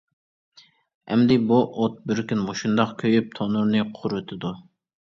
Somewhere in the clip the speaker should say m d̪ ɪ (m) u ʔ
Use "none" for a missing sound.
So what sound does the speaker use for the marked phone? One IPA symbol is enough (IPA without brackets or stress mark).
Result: b